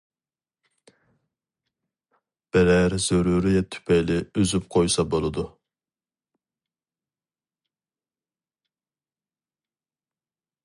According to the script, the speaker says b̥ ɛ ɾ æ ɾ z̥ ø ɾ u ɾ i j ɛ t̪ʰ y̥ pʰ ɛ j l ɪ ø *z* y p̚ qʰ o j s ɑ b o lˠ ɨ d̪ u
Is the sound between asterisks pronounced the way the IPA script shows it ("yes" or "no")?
yes